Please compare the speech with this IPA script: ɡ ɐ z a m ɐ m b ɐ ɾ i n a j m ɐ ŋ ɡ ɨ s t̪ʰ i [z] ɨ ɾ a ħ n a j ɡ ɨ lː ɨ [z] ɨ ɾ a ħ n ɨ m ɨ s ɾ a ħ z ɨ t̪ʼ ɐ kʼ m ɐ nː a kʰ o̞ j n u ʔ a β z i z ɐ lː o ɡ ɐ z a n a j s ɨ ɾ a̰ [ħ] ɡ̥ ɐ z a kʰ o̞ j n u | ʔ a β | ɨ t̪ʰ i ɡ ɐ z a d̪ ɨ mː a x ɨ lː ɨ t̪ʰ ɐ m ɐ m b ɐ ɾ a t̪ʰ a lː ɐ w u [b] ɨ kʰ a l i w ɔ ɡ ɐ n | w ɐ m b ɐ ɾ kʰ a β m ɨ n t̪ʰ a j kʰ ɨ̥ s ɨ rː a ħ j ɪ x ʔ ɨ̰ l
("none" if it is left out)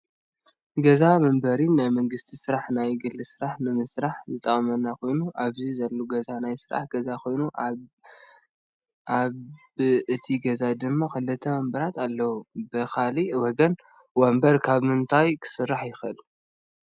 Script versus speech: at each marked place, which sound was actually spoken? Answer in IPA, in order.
s, s, ħ, b

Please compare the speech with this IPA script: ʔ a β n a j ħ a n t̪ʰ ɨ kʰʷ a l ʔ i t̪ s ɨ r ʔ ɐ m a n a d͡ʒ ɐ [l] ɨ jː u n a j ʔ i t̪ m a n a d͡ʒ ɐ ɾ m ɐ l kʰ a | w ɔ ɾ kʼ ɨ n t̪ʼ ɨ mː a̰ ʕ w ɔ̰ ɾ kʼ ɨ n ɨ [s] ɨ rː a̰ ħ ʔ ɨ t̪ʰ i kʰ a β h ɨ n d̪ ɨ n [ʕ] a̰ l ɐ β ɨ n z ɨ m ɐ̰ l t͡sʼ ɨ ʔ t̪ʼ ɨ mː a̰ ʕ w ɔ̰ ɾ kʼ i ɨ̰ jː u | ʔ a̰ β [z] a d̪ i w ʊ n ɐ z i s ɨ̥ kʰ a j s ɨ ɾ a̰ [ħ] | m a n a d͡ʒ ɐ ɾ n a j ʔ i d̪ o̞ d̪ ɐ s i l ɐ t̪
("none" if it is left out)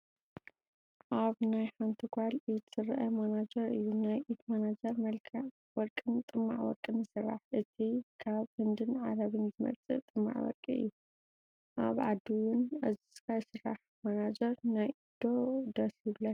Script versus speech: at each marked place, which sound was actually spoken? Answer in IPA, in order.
ɾ, s, ʕ, ʕ, ħ

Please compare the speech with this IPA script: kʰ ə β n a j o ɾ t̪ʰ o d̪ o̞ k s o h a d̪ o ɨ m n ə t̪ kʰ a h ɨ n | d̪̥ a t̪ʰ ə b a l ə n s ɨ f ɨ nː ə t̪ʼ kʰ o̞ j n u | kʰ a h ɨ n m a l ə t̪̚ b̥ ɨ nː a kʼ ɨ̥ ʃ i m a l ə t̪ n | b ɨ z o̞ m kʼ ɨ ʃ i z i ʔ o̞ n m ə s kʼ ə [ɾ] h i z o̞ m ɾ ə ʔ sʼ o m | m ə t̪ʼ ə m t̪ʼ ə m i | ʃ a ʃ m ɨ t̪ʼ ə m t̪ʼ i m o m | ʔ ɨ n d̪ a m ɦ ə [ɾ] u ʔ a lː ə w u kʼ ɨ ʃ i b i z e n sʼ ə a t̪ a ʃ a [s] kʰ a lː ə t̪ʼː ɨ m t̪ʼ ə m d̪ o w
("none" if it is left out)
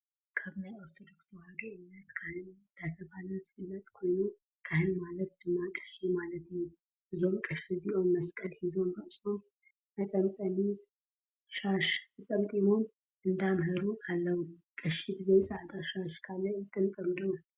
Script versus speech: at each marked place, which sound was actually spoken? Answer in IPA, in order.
l, ɾ, ʃ

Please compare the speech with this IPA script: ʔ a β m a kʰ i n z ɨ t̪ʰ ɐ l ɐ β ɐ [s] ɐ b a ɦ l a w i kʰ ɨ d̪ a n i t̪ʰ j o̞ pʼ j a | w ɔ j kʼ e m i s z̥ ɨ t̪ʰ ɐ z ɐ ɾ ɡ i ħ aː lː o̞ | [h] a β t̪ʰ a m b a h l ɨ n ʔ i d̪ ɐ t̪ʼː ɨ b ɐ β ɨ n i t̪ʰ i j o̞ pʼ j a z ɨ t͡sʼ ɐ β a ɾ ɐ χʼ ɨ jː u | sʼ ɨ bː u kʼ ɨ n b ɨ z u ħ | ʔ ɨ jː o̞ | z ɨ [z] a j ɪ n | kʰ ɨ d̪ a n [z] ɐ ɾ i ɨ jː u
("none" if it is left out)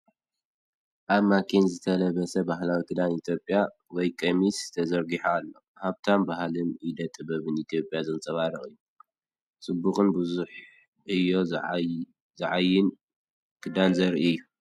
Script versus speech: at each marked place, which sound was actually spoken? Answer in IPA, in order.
s, h, ʕ, z

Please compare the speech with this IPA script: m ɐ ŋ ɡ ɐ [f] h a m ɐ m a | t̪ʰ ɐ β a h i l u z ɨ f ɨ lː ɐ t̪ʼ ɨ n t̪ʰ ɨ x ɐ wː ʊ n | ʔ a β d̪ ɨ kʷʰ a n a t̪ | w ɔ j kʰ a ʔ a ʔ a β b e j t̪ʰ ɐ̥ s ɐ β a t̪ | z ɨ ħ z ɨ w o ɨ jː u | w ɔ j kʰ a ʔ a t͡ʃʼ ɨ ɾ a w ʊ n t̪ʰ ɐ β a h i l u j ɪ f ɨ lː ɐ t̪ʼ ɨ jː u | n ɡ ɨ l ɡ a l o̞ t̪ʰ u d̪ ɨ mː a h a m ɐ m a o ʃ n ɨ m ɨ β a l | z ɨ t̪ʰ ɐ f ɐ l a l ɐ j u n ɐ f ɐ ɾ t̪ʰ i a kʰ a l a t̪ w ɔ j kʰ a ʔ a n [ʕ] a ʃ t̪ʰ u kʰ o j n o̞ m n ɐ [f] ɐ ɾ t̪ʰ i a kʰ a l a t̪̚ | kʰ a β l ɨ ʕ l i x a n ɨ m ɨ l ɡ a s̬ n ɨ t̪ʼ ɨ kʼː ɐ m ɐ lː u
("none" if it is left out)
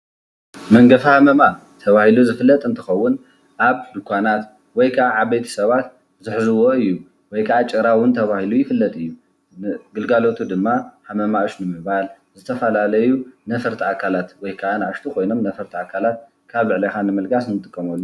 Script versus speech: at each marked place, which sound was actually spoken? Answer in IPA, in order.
f, ʕ, f

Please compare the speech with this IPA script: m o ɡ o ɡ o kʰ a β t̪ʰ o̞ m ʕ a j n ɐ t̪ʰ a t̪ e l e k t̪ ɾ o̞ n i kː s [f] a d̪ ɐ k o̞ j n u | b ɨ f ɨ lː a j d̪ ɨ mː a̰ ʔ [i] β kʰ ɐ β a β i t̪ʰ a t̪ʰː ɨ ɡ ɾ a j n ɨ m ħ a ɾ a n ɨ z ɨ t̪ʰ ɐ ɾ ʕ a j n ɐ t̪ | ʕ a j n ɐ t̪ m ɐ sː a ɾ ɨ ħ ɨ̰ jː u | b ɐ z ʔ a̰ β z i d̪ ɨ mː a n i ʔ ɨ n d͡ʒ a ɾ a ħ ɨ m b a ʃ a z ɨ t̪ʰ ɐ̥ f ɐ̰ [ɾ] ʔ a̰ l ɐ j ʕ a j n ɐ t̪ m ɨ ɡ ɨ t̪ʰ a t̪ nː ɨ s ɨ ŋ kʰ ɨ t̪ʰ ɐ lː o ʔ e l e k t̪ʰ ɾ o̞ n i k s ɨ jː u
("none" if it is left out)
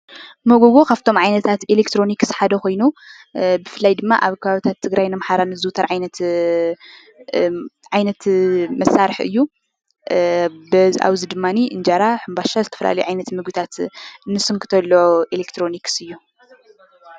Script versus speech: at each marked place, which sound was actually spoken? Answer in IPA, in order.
ħ, a, l

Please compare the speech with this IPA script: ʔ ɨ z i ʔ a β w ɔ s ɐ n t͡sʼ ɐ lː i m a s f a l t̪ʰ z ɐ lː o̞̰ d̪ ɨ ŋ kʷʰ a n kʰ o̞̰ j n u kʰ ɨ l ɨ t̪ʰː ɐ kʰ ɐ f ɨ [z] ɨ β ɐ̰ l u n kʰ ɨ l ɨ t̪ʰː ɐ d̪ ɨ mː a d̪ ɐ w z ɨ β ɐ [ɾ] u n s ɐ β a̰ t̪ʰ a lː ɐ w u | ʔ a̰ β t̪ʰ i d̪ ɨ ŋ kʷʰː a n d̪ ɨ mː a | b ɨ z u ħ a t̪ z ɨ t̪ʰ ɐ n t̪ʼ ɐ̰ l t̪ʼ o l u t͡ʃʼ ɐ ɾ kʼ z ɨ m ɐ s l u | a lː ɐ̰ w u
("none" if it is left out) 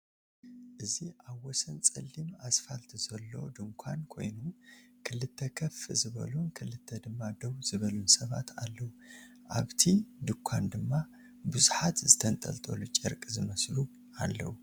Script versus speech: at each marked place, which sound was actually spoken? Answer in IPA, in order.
z, l

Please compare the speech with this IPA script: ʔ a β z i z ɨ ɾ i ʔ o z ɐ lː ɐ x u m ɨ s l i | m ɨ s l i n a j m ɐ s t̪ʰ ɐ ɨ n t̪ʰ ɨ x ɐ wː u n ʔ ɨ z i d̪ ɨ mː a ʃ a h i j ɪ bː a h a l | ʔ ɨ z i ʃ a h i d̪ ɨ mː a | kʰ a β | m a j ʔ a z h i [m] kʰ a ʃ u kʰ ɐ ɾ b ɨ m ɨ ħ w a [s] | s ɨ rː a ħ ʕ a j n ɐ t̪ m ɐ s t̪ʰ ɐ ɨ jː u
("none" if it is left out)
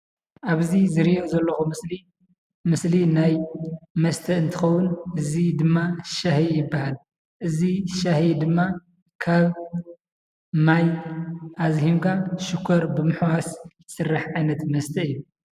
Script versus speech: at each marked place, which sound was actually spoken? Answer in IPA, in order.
m, s

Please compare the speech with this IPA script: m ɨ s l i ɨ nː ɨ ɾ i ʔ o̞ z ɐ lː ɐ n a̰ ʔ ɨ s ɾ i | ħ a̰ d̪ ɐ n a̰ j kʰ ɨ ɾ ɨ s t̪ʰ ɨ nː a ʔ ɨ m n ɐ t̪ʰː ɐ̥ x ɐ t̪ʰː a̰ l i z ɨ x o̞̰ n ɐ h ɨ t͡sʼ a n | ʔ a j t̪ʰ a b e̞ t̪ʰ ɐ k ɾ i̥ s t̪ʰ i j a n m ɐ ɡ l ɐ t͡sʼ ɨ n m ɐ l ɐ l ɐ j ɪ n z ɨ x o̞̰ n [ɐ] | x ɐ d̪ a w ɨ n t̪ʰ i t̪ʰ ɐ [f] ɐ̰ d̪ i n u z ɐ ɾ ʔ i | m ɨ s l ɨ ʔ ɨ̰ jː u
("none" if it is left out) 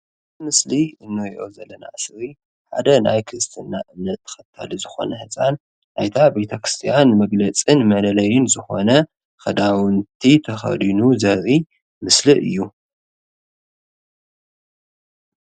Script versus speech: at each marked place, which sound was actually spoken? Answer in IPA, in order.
ɐ, x

